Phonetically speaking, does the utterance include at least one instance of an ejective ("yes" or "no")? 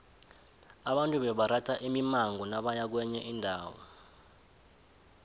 yes